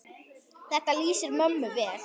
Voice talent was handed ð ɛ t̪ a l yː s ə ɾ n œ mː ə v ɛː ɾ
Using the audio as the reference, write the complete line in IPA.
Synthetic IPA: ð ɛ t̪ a l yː s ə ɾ m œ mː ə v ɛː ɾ